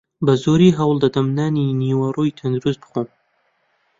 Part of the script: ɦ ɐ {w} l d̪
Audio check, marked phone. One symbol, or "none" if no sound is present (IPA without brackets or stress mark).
w